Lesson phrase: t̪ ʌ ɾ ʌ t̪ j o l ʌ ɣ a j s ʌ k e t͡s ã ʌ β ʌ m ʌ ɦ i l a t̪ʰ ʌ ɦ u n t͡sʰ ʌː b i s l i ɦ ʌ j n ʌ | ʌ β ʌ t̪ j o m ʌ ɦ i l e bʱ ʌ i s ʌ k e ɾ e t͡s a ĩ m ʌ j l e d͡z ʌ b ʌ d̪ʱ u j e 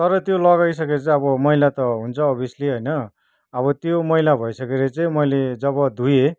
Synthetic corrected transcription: t̪ ʌ ɾ ʌ t̪ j o l ʌ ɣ a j s ʌ k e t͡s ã ʌ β ʌ m ʌ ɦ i l a t̪ ʌ ɦ u n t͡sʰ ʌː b i s l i ɦ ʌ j n ʌ | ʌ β ʌ t̪ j o m ʌ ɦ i l a bʱ ʌ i s ʌ k e ɾ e t͡s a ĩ m ʌ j l e d͡z ʌ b ʌ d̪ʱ u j e